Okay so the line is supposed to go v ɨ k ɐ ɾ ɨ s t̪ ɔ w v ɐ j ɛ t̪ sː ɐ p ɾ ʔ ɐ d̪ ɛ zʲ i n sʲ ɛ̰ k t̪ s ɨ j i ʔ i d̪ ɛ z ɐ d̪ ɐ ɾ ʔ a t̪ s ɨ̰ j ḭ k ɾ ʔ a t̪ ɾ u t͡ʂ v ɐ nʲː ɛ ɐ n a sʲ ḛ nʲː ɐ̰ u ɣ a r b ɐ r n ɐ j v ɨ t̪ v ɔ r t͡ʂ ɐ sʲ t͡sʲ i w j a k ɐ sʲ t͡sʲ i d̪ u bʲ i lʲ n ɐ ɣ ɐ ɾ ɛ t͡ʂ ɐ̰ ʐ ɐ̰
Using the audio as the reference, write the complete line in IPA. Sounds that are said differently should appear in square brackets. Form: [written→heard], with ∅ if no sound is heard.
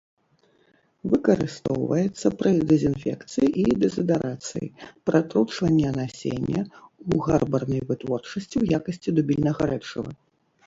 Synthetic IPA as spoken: v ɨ k ɐ ɾ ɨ s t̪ ɔ w v ɐ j ɛ t̪ sː ɐ p ɾ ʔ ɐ d̪ ɛ zʲ i n [sʲ→fʲ] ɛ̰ k t̪ s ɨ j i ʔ i d̪ ɛ z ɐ d̪ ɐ ɾ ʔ a t̪ s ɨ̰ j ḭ [k→p] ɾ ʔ a t̪ ɾ u t͡ʂ v ɐ nʲː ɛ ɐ n a sʲ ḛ nʲː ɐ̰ u ɣ a r b ɐ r n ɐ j v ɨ t̪ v ɔ r t͡ʂ ɐ sʲ t͡sʲ i w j a k ɐ sʲ t͡sʲ i d̪ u bʲ i lʲ n ɐ ɣ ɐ ɾ ɛ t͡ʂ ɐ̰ [ʐ→v] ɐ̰